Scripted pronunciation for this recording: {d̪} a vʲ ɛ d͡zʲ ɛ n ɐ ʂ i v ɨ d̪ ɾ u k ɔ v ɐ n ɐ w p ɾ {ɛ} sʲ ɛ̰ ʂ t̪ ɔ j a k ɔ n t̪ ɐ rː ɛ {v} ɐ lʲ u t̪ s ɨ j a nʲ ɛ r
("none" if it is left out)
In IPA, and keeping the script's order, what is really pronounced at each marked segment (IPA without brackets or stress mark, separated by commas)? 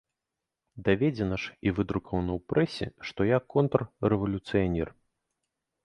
d̪, ɛ, v